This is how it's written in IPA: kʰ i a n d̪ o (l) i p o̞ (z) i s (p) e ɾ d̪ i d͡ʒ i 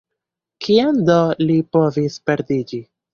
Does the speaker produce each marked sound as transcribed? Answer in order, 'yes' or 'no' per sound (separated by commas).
yes, no, yes